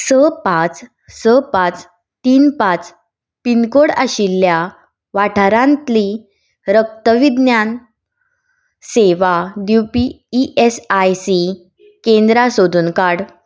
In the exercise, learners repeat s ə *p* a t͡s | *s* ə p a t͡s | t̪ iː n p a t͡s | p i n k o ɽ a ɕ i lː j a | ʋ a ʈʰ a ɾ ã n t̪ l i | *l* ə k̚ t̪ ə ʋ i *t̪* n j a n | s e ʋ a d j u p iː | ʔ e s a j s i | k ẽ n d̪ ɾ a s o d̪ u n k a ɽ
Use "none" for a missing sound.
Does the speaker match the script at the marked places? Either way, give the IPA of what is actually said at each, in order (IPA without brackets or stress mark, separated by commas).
p, s, ɾ, d̪